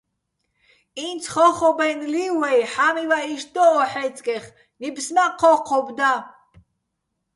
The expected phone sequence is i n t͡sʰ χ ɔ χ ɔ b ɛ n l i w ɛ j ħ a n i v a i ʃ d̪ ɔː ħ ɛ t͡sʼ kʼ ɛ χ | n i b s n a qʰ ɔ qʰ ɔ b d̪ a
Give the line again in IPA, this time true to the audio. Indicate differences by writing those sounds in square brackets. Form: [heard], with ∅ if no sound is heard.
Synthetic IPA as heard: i n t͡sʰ χ ɔ χ ɔ b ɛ n l i w ɛ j ħ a [m] i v a i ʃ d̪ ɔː ħ ɛ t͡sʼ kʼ ɛ χ | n i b s n a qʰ ɔ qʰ ɔ b d̪ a